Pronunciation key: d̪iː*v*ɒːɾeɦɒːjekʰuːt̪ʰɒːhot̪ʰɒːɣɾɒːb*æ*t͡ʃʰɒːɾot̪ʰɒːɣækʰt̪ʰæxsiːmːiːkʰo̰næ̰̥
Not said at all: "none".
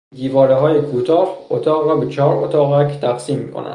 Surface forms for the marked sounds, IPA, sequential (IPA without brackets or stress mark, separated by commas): v, e